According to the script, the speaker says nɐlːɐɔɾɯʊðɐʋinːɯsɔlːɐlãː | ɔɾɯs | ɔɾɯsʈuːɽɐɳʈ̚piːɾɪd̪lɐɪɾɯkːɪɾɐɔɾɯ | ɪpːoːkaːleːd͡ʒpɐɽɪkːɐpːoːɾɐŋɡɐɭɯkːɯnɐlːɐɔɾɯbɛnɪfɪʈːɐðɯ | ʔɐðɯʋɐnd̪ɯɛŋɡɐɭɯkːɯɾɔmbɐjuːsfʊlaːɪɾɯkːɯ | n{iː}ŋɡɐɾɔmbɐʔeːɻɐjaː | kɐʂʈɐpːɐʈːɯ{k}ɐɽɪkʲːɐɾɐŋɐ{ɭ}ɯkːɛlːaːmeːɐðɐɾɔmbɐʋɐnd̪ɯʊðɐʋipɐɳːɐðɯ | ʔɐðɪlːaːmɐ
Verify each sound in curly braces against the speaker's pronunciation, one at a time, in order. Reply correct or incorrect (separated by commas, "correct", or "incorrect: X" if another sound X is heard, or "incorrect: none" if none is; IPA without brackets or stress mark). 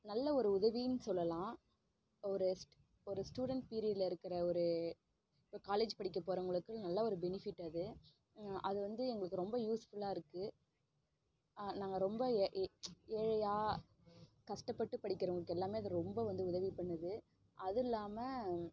incorrect: aː, incorrect: p, correct